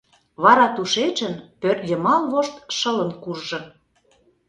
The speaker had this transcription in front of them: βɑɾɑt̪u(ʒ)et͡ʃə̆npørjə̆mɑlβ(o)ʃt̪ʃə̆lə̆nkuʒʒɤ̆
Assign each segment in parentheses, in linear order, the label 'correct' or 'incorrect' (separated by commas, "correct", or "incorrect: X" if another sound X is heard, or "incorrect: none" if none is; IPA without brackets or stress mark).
incorrect: ʃ, correct